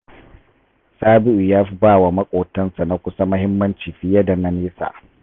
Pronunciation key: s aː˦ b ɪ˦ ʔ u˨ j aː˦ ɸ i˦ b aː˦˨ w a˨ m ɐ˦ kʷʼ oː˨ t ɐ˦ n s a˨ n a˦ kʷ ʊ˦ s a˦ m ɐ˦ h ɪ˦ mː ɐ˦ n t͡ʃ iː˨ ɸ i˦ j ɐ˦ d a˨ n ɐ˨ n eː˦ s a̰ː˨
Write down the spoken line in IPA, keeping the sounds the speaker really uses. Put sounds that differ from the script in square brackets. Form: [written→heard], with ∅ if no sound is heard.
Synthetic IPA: s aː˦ b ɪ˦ ʔ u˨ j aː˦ ɸ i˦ b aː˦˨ w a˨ m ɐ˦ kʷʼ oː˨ t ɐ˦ n s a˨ n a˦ kʷ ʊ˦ s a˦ m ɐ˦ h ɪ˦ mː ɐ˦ n t͡ʃ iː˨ ɸ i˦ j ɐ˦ d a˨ n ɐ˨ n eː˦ s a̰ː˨